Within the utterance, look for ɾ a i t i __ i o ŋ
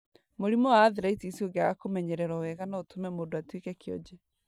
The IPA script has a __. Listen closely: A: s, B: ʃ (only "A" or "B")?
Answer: A